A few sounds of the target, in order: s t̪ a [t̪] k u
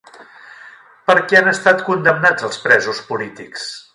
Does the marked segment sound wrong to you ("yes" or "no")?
no